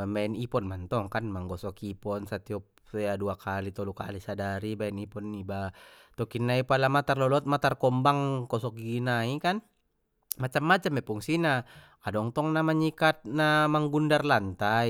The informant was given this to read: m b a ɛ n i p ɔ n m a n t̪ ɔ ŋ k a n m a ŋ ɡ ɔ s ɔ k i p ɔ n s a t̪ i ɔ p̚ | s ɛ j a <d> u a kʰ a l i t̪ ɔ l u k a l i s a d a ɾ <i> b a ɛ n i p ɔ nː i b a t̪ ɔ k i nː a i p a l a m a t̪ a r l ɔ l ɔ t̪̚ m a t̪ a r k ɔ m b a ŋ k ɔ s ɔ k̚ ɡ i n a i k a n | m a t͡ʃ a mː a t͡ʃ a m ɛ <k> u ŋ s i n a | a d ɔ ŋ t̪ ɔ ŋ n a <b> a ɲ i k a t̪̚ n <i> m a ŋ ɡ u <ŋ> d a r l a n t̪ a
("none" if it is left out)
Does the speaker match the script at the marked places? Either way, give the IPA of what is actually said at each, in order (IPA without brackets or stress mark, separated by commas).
d, i, p, m, a, n